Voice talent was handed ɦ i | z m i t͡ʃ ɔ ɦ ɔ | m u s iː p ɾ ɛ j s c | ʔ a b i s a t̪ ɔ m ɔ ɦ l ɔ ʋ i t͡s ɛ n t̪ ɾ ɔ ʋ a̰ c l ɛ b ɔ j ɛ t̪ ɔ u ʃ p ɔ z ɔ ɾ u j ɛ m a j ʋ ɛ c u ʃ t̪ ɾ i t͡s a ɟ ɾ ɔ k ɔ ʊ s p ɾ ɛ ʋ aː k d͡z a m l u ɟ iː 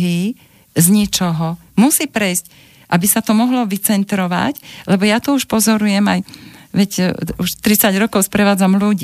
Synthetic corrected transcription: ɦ i | z ɲ i t͡ʃ ɔ ɦ ɔ | m u s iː p ɾ ɛ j s c | ʔ a b i s a t̪ ɔ m ɔ ɦ l ɔ ʋ i t͡s ɛ n t̪ ɾ ɔ ʋ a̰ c l ɛ b ɔ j a t̪ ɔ u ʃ p ɔ z ɔ ɾ u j ɛ m a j ʋ ɛ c u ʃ t̪ ɾ i t͡s a ɟ ɾ ɔ k ɔ ʊ s p ɾ ɛ ʋ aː d͡z a m l u ɟ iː